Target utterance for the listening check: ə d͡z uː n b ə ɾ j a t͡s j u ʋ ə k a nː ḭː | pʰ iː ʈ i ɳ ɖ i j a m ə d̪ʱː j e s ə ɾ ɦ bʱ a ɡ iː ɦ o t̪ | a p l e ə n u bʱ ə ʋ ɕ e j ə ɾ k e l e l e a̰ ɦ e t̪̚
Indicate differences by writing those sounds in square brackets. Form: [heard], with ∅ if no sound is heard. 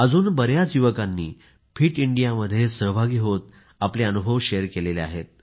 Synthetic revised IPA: ə d͡z uː n b ə ɾ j a t͡s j u ʋ ə k a nː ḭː | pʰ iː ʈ i ɳ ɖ i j a m ə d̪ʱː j e s ə [∅] ɦ bʱ a ɡ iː ɦ o t̪ | a p l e ə n u bʱ ə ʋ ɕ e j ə ɾ k e l e l e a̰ ɦ e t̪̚

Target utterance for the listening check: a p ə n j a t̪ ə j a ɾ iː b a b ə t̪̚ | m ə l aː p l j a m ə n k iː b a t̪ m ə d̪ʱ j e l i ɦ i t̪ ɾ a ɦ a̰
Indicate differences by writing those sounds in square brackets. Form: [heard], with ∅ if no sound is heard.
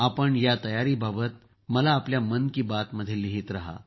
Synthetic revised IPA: a p ə [ɳ] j a t̪ ə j a ɾ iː b a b ə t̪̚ | m ə l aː p l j a m ə n k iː b a t̪ m ə d̪ʱ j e l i ɦ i t̪ ɾ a ɦ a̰

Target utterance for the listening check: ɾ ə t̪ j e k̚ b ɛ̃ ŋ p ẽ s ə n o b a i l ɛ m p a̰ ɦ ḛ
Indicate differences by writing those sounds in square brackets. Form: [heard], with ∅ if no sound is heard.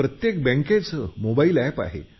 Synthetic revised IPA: ɾ ə t̪ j e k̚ b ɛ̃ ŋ [k] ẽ [t͡s] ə [m] o b a i l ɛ [∅] p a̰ ɦ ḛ

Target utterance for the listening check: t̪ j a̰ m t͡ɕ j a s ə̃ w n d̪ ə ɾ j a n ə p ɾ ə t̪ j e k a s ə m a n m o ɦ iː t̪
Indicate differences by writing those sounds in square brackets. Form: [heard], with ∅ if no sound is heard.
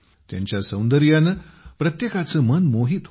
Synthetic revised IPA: t̪ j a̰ [ɲ] t͡ɕ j a s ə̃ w n d̪ ə ɾ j a n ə p ɾ ə t̪ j e k a [t͡s] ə m [ə] n m o ɦ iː t̪

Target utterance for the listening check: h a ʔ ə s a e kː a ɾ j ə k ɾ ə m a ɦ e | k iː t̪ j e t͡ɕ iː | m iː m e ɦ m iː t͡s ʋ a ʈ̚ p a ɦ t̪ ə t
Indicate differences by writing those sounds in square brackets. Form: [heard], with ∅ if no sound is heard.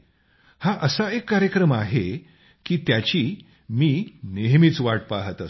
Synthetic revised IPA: h a ʔ ə s a e kː a ɾ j ə k ɾ ə m a ɦ e | k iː t̪ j [a] t͡ɕ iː | m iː [n] e ɦ m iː t͡s ʋ a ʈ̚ p a ɦ t̪ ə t

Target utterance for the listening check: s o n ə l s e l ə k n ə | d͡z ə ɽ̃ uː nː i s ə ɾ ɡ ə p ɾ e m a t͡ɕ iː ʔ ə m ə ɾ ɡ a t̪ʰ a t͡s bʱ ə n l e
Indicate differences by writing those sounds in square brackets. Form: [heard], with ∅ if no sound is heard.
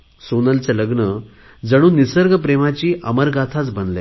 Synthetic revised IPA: s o n ə l [t͡s] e l ə [ɡ] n ə | d͡z ə ɽ̃ uː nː i s ə ɾ ɡ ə p ɾ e m a t͡ɕ iː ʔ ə m ə ɾ ɡ a t̪ʰ a t͡s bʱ ə n l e

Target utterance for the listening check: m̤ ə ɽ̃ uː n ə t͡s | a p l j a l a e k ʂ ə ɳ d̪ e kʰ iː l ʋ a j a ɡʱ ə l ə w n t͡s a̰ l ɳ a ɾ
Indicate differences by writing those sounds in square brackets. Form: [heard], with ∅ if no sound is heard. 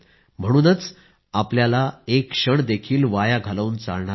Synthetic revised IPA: m̤ ə ɽ̃ uː n ə t͡s | a p l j a l a e k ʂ ə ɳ d̪ e kʰ iː l ʋ a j a ɡʱ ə l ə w n t͡s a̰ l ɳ a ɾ

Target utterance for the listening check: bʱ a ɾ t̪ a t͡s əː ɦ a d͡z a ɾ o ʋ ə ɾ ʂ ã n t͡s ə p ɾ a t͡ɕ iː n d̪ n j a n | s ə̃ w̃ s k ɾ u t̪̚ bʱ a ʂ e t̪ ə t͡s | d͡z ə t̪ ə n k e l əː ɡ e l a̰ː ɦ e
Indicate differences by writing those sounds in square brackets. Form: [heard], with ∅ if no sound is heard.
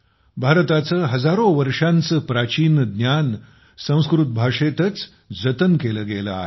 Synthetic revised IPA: bʱ a ɾ t̪ a t͡s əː ɦ [ə] d͡z a ɾ o ʋ ə ɾ ʂ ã n t͡s ə p ɾ a t͡ɕ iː n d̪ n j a n | s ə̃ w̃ s k ɾ u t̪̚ bʱ a ʂ e t̪ ə t͡s | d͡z ə t̪ ə n k e l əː ɡ e l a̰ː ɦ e

